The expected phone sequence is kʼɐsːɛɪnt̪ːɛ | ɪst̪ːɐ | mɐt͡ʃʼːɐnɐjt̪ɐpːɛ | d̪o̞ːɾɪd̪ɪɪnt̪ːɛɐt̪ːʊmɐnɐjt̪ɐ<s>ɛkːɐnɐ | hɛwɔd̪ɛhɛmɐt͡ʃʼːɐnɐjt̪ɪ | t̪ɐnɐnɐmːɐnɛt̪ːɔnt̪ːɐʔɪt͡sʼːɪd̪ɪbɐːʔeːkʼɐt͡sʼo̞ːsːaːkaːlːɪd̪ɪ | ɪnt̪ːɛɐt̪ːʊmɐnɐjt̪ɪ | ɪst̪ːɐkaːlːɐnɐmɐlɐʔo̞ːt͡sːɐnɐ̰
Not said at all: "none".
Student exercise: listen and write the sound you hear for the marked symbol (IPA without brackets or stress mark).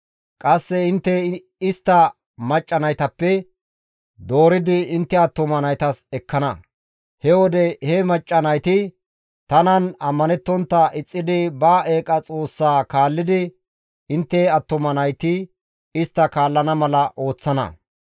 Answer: s